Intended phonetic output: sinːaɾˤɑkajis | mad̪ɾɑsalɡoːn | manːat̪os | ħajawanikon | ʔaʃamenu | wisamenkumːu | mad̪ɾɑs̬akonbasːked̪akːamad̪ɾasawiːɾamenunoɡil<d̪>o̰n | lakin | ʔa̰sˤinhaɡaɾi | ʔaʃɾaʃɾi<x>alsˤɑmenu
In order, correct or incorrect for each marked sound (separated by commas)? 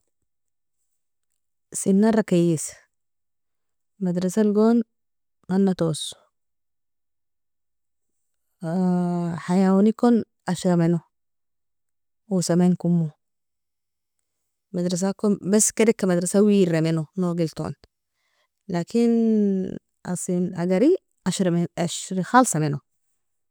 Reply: incorrect, correct